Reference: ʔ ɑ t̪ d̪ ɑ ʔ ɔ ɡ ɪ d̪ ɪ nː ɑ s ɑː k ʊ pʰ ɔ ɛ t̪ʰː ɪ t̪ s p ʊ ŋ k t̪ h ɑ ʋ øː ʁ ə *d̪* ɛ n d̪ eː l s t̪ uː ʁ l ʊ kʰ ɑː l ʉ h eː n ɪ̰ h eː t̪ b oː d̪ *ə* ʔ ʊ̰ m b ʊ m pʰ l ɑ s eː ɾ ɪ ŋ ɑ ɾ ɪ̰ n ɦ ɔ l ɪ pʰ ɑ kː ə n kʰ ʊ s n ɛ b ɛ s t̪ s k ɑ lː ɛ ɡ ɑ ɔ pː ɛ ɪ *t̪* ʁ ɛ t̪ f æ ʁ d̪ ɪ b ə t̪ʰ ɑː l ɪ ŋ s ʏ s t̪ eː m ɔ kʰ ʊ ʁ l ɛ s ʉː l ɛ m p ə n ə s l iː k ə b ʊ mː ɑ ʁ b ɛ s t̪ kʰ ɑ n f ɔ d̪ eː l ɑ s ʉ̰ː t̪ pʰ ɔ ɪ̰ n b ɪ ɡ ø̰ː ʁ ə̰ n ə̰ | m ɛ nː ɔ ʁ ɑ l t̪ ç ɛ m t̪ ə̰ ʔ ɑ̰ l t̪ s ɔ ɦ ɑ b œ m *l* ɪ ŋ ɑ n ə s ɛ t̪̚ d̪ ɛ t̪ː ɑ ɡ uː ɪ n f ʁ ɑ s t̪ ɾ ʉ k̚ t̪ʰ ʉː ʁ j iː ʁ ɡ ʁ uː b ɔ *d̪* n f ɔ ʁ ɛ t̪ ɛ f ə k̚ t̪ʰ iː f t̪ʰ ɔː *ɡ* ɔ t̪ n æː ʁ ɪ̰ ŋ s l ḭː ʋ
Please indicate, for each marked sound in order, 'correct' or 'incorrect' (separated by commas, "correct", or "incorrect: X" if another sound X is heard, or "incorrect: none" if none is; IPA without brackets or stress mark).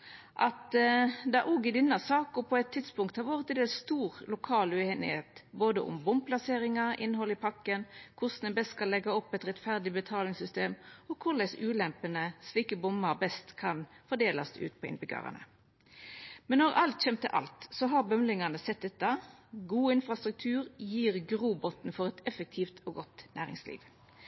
incorrect: t̪, correct, correct, correct, incorrect: t̪, correct